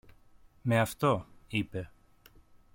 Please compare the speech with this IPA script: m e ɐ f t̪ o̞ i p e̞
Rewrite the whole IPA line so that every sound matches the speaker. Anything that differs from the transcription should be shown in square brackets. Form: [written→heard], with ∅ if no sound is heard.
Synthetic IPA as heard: m e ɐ f t̪ o̞ i p e̞